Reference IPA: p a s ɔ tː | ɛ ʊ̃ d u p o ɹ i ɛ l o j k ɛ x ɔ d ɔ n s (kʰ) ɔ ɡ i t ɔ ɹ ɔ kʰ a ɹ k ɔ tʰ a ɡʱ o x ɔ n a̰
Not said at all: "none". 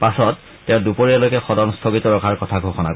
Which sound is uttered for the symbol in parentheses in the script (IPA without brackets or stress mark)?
tʰ